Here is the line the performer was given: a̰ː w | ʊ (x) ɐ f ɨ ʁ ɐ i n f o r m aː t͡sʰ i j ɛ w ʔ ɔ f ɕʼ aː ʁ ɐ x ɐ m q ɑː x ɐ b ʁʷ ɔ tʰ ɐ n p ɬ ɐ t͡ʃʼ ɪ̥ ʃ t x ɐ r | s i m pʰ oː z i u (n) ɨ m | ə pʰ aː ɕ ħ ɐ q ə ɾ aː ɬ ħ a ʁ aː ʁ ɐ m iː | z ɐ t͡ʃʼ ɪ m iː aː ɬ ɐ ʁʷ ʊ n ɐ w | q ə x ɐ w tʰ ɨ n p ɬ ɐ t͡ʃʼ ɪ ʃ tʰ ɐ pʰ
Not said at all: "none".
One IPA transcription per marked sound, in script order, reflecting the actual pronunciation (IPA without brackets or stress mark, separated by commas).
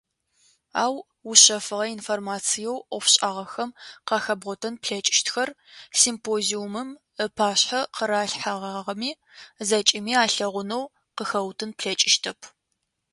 ɕ, m